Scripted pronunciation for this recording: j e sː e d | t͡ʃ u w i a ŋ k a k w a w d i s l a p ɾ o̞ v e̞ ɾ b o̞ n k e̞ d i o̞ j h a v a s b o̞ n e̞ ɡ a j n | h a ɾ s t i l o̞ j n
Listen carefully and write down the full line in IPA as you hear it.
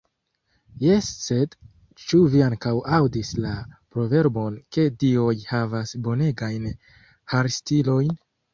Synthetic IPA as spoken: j e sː e d | t͡ʃ u v i a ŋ k a w a w d i s l a p ɾ o̞ v e̞ ɾ b o̞ n k e̞ d i o̞ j h a v a s b o̞ n e̞ ɡ a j n | h a ɾ s t i l o̞ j n

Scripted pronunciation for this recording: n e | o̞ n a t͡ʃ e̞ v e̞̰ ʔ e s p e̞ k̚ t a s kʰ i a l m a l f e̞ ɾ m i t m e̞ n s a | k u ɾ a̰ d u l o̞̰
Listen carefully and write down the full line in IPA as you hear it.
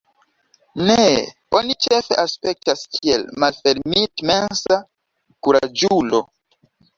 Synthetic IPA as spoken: n e | o̞ n i t͡ʃ e̞ f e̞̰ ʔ a s p e̞ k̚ t a s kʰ i e l m a l f e̞ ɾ m i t m e̞ n s a | k u ɾ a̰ d͡ʒ u l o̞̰

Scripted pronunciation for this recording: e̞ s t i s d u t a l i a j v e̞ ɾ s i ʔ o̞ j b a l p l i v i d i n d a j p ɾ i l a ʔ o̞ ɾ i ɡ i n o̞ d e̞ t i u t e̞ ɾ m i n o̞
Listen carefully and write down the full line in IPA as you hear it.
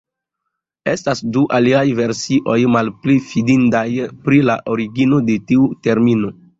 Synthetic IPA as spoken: e̞ s t a s d u ʔ a l i a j v e̞ ɾ s i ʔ o̞ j m a l p l i f i d i n d a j p ɾ i l a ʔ o̞ ɾ i ɡ i n o̞ d e̞ t i u t e̞ ɾ m i n o̞

